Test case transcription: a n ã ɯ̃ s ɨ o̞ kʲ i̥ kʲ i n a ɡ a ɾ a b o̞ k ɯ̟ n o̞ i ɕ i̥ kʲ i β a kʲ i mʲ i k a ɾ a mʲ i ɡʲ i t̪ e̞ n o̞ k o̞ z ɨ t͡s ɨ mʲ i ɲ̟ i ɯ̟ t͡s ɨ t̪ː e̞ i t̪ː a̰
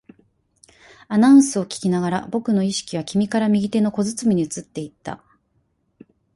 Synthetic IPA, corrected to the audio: a n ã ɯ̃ s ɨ o̞ kʲ i̥ kʲ i n a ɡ a ɾ a b o̞ k ɯ̟ n o̞ i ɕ i̥ kʲ i β a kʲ i mʲ i k a ɾ a mʲ i ɡʲ i t̪ e̞ n o̞ k o̞ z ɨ t͡s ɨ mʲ i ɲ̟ i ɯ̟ t͡s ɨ t̪ː e̞ i t̪ː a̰